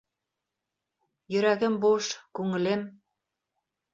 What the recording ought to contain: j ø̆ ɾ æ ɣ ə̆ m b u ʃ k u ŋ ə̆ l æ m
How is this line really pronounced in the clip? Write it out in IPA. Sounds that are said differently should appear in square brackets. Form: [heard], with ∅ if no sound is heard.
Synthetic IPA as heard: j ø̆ ɾ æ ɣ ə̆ m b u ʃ k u ŋ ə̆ l [e] m